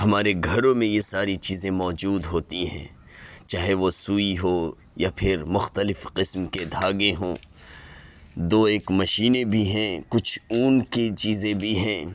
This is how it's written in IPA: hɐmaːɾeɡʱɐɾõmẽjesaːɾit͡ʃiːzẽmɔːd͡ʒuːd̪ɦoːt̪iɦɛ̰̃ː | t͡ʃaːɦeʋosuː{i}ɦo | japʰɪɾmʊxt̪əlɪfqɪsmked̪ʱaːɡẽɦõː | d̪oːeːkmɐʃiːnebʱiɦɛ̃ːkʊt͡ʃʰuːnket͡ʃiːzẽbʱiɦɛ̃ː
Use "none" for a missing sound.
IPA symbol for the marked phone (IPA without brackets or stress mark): i